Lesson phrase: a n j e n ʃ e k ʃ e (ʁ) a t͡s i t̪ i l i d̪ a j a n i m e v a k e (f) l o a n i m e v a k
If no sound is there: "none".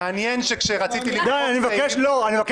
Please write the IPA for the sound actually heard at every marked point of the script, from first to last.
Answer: ʁ, ʃ

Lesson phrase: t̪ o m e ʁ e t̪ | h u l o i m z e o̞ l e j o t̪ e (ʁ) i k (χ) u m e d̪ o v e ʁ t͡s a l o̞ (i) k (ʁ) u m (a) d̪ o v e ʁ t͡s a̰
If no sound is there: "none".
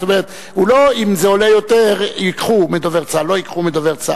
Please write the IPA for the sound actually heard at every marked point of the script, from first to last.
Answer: ʁ, χ, i, χ, e

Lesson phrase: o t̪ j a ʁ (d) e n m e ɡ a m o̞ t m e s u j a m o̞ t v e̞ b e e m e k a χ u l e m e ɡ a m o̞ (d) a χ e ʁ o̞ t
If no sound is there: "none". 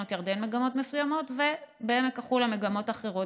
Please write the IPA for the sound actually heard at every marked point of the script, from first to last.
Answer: d, t

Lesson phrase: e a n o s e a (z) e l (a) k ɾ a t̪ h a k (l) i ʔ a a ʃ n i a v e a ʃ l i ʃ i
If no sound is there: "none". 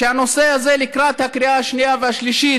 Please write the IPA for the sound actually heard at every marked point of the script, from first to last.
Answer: z, i, ɾ

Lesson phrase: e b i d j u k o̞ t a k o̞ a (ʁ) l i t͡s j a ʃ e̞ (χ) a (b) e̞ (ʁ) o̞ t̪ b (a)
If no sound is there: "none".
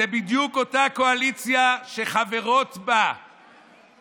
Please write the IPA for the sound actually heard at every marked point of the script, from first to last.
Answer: none, χ, v, ʁ, a

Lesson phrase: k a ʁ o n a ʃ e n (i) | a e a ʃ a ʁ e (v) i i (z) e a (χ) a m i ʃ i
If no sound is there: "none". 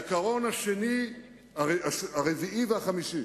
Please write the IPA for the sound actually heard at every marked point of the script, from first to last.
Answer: i, v, v, χ

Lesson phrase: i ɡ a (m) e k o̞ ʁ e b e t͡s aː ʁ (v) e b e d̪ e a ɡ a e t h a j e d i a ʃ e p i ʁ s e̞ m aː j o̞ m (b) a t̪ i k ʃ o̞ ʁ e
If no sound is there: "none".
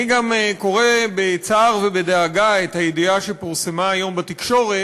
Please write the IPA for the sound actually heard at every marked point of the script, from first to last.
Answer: m, v, b

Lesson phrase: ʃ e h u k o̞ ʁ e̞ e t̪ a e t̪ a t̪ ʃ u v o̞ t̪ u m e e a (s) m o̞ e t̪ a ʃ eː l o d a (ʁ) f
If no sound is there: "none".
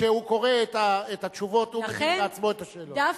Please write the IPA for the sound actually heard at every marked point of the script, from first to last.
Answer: t͡s, none

